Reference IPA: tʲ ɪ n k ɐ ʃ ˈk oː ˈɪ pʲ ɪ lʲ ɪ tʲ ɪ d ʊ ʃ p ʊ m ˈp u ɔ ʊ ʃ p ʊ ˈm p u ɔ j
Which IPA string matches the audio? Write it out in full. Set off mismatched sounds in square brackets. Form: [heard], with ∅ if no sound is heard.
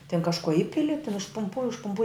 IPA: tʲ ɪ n k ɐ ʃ ˈk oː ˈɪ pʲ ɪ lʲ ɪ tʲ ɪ [n] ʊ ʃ p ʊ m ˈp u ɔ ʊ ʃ p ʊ ˈm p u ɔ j